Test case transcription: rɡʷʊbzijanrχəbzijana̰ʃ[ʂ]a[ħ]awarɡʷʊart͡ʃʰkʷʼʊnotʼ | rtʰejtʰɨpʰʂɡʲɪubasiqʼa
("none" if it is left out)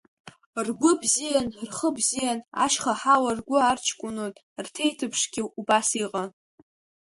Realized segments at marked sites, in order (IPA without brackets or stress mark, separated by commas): χ, ħ